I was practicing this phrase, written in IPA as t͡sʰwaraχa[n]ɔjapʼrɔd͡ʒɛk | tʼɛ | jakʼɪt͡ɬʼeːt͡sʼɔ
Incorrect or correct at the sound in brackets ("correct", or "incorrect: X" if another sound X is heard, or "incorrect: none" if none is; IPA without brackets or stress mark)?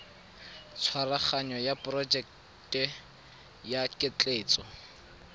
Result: incorrect: ɲ